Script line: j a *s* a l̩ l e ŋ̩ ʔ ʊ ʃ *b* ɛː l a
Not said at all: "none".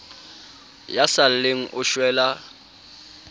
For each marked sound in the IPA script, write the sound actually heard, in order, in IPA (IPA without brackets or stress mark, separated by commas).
s, w